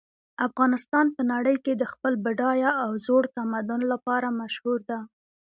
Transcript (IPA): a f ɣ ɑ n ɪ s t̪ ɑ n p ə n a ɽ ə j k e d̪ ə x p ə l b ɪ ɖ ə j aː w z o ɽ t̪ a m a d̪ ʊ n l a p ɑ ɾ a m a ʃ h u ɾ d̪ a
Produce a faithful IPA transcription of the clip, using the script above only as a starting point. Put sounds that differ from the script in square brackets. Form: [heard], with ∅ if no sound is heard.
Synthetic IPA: a f ɣ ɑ n ɪ s t̪ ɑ n p ə n a ɽ ə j k e d̪ ə x p ə l b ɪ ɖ [ɑ] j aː w z o ɽ t̪ a m a d̪ ʊ n l a p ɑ ɾ a m a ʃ h u ɾ d̪ a